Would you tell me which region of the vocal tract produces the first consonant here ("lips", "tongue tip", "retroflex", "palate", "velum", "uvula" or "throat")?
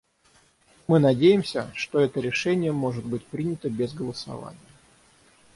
lips